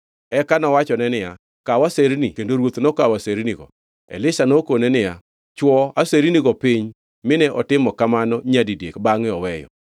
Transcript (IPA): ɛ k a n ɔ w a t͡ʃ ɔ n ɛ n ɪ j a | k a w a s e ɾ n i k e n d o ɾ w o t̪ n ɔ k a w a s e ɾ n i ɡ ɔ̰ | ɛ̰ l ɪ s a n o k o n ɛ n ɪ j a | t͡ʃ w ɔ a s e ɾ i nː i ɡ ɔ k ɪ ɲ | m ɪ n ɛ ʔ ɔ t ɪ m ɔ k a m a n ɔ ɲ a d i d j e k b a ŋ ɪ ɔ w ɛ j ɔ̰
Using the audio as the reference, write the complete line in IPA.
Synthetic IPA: ɛ k a n ɔ w a t͡ʃ ɔ n ɛ n ɪ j a | k a w a s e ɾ n i k e n d o ɾ w o t̪ n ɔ k a w a s e ɾ n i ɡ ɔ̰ | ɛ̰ l ɪ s a n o k o n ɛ n ɪ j a | t͡ʃ w ɔ a s e ɾ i n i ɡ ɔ p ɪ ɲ | m ɪ n ɛ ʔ ɔ t ɪ m ɔ k a m a n ɔ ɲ a d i d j e k b a ŋ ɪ ɔ w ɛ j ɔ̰

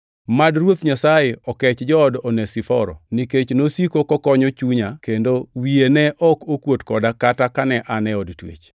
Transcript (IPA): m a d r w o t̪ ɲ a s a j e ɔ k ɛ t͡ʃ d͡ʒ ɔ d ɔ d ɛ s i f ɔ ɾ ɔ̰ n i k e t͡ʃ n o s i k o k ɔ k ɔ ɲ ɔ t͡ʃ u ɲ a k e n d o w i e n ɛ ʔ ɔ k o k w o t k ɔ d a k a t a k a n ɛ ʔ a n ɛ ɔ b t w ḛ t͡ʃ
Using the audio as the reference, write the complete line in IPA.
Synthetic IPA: m a d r w o t̪ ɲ a s a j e ɔ k ɛ t͡ʃ d͡ʒ ɔ d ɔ n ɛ s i f ɔ ɾ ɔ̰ n i k e t͡ʃ n o s i k o k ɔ k ɔ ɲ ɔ t͡ʃ u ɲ a k e n d o w i e n ɛ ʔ ɔ k o k w o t k ɔ d a k a t a k a n ɛ ʔ a n ɛ ɔ d t w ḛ t͡ʃ

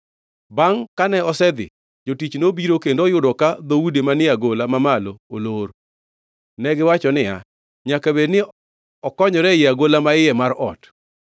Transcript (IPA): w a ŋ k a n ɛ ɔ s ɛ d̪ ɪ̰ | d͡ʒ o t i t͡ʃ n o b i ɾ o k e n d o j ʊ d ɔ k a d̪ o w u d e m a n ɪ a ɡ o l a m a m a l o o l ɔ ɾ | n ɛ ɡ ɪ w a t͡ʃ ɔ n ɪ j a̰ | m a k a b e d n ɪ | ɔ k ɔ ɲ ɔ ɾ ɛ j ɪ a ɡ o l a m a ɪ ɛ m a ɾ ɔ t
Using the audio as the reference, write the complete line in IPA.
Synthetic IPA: b a ŋ k a n ɛ ɔ s ɛ d̪ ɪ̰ | d͡ʒ o t i t͡ʃ n o b i ɾ o k e n d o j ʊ d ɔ k a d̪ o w u d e m a n ɪ a ɡ o l a m a m a l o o l o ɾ | n ɛ ɡ ɪ w a t͡ʃ ɔ n ɪ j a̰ | ɲ a k a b e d n ɪ | ɔ k ɔ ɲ ɔ ɾ ɛ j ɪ a ɡ o l a m a ɪ ɛ m a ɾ ɔ t

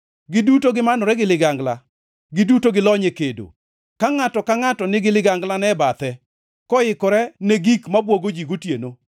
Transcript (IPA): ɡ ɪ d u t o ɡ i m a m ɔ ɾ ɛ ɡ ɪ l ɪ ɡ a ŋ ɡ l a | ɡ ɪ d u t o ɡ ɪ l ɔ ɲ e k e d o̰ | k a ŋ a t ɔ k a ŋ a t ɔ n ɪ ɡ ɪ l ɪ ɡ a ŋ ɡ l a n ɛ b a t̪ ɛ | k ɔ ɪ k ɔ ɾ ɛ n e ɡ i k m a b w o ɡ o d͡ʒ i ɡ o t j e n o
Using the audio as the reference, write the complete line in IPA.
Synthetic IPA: ɡ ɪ d u t o ɡ ɪ m a n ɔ ɾ ɛ ɡ ɪ l ɪ ɡ a ŋ ɡ l a | ɡ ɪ d u t o ɡ ɪ l ɔ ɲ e k e d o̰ | k a ŋ a t ɔ k a ŋ a t ɔ n ɪ ɡ ɪ l ɪ ɡ a ŋ ɡ l a n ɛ b a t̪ ɛ | k ɔ ɪ k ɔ ɾ ɛ n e ɡ i k m a b w o ɡ o d͡ʒ i ɡ o t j e n o

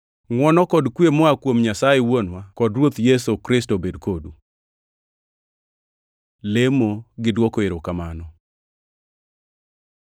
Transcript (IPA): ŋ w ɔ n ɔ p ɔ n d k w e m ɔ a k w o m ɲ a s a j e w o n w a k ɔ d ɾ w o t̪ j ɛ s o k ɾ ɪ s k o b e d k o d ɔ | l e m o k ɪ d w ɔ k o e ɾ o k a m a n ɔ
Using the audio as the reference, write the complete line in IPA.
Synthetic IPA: ŋ w ɔ n ɔ k ɔ d k w e m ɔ a k w o m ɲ a s a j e w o n w a k ɔ d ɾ w o t̪ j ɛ s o k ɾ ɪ s t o b e d k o d u | l e m o ɡ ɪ d w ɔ k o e ɾ o k a m a n ɔ

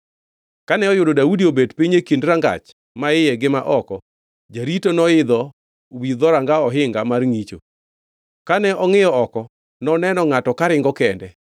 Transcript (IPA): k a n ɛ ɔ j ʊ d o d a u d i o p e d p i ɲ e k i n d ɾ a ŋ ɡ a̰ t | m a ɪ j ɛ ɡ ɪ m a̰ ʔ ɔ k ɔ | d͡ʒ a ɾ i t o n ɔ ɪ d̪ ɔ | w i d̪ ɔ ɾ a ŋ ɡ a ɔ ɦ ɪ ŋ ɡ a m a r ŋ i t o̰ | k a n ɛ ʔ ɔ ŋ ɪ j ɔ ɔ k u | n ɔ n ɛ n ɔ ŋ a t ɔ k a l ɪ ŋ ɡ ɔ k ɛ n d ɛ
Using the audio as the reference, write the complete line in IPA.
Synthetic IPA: k a n ɛ ɔ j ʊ d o d a u d i o b e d p i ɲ e k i n d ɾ a ŋ ɡ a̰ t͡ʃ | m a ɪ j ɛ ɡ ɪ m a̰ ʔ ɔ k ɔ | d͡ʒ a ɾ i t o n ɔ ɪ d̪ ɔ | w i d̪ ɔ ɾ a ŋ ɡ a ɔ ɦ ɪ ŋ ɡ a m a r ŋ i t͡ʃ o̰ | k a n ɛ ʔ ɔ ŋ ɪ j ɔ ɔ k ɔ | n ɔ n ɛ n ɔ ŋ a t ɔ k a ɾ ɪ ŋ ɡ ɔ k ɛ n d ɛ

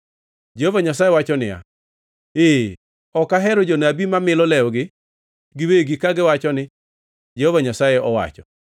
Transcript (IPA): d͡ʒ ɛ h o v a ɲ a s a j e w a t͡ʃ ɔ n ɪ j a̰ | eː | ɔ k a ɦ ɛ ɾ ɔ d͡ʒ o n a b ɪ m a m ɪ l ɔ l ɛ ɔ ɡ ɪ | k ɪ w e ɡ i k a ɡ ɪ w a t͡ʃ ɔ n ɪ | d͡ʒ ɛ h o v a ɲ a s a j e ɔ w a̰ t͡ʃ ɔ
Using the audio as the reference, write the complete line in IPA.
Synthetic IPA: d͡ʒ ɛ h o v a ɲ a s a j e w a t͡ʃ ɔ n ɪ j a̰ | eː | ɔ k a ɦ ɛ ɾ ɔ d͡ʒ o n a b i m a m ɪ l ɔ l ɛ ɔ ɡ ɪ | ɡ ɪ w e ɡ i k a ɡ ɪ w a t͡ʃ ɔ n ɪ | d͡ʒ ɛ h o v a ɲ a s a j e ɔ w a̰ t͡ʃ ɔ

